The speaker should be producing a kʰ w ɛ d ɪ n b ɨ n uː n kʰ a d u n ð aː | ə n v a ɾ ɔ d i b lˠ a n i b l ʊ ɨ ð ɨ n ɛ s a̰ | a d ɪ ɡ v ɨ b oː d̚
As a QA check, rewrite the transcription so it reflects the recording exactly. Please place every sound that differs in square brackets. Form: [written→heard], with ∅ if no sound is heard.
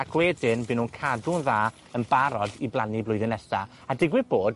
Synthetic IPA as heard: a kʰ w ɛ d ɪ n b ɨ n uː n kʰ a d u n ð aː | ə n [v→b] a ɾ ɔ d i b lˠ a n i b l ʊ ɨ ð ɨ n ɛ s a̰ | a d ɪ ɡ [v→w] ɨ b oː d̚